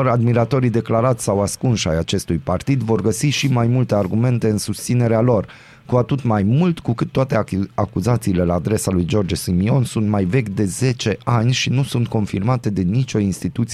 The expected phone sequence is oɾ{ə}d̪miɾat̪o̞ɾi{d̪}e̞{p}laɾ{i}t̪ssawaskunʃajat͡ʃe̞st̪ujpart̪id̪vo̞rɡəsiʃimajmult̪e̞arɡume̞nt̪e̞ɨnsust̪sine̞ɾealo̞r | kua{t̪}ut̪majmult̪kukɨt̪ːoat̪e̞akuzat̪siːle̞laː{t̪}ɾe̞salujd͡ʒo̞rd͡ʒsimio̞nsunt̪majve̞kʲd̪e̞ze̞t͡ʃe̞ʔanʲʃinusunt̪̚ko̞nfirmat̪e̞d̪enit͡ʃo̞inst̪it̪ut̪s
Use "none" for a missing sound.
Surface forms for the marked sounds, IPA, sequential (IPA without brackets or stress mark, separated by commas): a, d̪, k, a, t̪, d̪